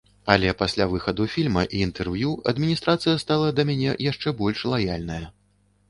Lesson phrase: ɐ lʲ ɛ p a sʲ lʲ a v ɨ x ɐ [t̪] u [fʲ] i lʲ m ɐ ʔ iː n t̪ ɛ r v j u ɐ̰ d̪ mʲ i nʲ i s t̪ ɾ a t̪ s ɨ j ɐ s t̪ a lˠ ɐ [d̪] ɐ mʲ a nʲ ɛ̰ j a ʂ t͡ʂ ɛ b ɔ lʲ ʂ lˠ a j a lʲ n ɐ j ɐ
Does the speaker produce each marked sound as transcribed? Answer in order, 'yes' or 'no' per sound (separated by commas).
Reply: no, yes, yes